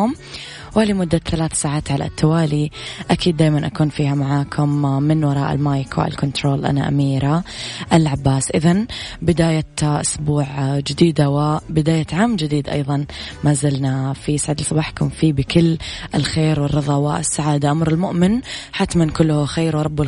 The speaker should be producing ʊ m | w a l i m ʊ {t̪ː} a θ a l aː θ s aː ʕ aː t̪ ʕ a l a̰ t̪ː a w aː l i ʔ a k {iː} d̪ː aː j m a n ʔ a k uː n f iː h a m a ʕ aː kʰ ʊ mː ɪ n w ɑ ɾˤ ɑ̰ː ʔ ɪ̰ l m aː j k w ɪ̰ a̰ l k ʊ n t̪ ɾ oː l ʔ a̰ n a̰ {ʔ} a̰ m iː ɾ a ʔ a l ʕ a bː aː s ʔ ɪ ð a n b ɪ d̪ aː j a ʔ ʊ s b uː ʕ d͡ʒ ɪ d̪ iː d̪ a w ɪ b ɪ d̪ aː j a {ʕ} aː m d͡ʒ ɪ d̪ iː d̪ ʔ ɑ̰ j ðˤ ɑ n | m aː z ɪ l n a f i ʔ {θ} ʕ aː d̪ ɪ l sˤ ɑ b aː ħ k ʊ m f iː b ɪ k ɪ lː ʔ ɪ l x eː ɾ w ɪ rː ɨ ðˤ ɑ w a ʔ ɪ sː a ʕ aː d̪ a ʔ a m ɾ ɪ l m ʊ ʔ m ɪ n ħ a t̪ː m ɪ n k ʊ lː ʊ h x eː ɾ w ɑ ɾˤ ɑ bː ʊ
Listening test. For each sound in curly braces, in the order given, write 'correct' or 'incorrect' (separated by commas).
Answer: incorrect, correct, correct, correct, incorrect